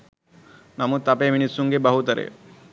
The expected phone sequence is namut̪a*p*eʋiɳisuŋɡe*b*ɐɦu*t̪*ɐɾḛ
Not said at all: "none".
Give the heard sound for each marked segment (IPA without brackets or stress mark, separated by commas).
p, b, t̪